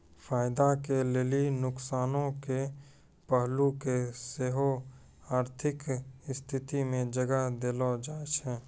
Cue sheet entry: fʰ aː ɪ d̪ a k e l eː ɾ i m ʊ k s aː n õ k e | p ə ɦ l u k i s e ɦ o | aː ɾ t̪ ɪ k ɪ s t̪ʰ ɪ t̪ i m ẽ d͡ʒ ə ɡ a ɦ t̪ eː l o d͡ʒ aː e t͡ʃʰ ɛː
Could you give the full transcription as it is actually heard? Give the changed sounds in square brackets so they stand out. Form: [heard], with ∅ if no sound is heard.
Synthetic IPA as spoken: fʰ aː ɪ d̪ a k e l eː [l] i [n] ʊ k s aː n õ k e | p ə ɦ l u k [e] s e ɦ o | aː ɾ [t̪ʰ] ɪ k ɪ s t̪ʰ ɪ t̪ i m ẽ d͡ʒ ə ɡ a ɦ [d̪] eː l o d͡ʒ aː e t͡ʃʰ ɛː